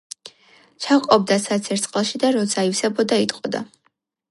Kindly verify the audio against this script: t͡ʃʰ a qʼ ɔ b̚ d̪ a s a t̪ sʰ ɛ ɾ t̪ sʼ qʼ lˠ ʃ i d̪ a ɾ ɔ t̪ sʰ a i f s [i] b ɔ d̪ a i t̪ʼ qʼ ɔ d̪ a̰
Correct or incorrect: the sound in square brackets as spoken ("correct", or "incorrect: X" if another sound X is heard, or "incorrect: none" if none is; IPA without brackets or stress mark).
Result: incorrect: ɛ